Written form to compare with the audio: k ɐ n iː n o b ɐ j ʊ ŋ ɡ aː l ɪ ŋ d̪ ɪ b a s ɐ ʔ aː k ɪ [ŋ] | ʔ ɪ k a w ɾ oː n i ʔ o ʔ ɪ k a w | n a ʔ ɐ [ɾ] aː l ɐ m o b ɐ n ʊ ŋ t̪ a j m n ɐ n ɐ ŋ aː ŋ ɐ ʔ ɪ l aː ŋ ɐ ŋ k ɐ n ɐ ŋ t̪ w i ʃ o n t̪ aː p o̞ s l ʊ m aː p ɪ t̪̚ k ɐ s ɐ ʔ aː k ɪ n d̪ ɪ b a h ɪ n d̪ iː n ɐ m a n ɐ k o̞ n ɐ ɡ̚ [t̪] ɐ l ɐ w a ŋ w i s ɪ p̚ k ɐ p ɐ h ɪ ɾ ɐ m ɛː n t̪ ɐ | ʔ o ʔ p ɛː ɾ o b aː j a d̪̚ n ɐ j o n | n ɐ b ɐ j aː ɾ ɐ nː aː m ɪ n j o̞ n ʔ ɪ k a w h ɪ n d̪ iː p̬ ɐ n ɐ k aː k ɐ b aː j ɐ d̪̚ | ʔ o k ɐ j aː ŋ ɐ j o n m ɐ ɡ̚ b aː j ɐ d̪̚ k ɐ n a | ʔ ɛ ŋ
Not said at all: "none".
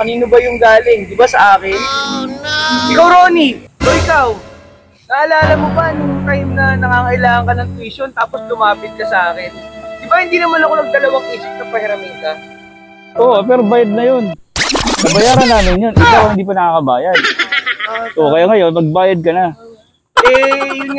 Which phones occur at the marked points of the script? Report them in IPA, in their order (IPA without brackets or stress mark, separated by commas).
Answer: n, l, d̪